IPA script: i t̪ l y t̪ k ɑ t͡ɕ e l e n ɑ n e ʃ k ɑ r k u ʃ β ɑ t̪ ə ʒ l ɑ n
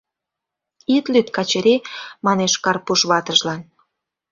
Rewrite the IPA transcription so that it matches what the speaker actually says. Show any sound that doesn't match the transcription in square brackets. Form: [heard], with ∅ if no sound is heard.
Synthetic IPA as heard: i t̪ l y t̪ k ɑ t͡ɕ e [ɾ] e [m] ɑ n e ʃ k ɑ r [p] u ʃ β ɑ t̪ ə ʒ l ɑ n